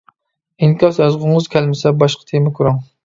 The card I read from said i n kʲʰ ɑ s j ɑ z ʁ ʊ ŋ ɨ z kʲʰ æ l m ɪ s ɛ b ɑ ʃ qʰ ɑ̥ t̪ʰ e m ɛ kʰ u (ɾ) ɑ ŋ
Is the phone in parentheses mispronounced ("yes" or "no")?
no